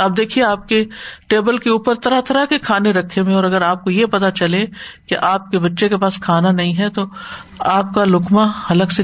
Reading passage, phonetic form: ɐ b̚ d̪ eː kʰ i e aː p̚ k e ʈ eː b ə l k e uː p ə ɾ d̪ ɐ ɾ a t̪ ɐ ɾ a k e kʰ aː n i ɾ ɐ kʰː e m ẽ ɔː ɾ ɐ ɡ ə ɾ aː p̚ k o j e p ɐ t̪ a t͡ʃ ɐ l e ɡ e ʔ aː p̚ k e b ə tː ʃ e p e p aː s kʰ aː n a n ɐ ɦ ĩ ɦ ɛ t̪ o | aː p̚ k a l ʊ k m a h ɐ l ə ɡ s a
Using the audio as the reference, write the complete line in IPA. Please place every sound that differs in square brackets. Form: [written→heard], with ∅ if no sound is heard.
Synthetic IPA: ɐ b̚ d̪ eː kʰ i e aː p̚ k e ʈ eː b ə l k e uː p ə ɾ [d̪→t̪] ɐ ɾ a t̪ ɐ ɾ a k e kʰ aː n [i→e] ɾ ɐ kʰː e m ẽ ɔː ɾ ɐ ɡ ə ɾ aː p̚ k o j e p ɐ t̪ a t͡ʃ ɐ l e [ɡ→k] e ʔ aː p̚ k e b [ə→ɐ] tː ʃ e [p→k] e p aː s kʰ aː n a n ɐ ɦ ĩ ɦ ɛ t̪ o | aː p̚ k a l ʊ k m a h ɐ l ə ɡ s [a→e]